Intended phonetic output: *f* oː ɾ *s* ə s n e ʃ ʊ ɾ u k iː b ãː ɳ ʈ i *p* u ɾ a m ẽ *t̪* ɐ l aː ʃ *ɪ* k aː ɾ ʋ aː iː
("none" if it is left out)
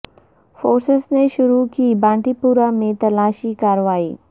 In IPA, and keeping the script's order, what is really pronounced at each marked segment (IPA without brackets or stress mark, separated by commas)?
f, s, p, t̪, i